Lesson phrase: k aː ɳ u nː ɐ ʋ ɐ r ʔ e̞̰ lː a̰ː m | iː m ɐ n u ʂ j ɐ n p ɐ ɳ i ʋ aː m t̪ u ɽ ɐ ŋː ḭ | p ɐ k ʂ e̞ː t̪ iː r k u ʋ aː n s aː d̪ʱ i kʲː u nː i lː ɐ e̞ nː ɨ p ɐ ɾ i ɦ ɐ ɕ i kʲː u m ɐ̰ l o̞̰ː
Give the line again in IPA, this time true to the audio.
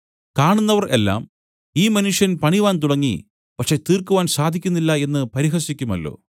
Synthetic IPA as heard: k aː ɳ u nː ɐ ʋ ɐ r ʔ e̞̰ lː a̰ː m | iː m ɐ n u ʂ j ɐ n p ɐ ɳ i ʋ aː n t̪ u ɽ ɐ ŋː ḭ | p ɐ k ʂ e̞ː t̪ iː r k u ʋ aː n s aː d̪ʱ i kʲː u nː i lː ɐ e̞ nː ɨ p ɐ ɾ i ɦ ɐ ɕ i kʲː u m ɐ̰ lː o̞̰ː